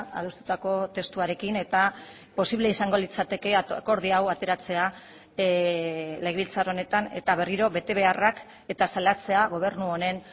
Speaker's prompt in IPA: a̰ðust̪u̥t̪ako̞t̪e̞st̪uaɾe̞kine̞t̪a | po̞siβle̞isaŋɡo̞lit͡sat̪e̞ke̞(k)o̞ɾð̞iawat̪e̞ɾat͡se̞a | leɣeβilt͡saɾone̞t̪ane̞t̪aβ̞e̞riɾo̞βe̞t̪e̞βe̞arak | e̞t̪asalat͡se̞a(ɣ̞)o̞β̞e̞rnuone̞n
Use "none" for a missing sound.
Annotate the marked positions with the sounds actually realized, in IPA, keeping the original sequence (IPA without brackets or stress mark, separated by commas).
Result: k, ɣ̞